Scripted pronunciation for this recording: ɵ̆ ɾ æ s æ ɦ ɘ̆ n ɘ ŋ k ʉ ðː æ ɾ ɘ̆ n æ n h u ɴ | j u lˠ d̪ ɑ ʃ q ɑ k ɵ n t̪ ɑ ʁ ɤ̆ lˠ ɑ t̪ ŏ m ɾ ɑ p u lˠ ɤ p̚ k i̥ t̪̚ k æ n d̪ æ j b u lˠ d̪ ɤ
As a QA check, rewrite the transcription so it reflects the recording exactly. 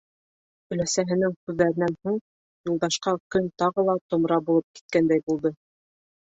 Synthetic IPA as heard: ɵ̆ l æ s æ ɦ ɘ̆ n ɘ ŋ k ʉ ðː æ ɾ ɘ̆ n æ n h u ɴ | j u lˠ d̪ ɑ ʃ q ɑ k ɵ n t̪ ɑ ʁ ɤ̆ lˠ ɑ t̪ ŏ m ɾ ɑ b u lˠ ɤ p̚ k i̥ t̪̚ k æ n d̪ æ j b u lˠ d̪ ɤ